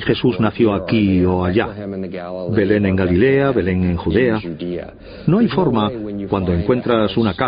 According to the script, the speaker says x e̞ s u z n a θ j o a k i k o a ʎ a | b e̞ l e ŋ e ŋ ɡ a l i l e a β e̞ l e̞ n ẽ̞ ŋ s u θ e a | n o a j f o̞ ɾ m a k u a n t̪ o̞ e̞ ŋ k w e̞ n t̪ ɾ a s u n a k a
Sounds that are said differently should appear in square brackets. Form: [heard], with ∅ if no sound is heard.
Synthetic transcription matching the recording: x e̞ s u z n a θ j o a k i [∅] o a ʎ a | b e̞ l e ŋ e ŋ ɡ a l i l e a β e̞ l e̞ [ŋ] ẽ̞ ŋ [x] u [ð] e a | n o a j f o̞ ɾ m a k [w] a n [d̪] o̞ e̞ ŋ k w e̞ n t̪ ɾ a s u n a k a